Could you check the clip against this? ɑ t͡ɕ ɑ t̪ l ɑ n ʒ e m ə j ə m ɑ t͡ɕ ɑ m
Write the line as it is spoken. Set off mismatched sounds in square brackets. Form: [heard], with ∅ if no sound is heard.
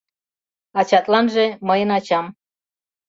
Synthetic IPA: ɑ t͡ɕ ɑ t̪ l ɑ n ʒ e m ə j ə [n] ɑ t͡ɕ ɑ m